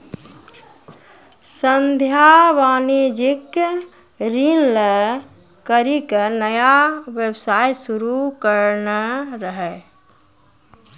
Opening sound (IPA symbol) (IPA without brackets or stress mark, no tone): s